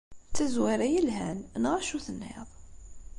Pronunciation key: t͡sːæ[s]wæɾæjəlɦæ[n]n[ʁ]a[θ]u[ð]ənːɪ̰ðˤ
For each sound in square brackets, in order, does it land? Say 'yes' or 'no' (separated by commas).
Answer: no, yes, yes, no, no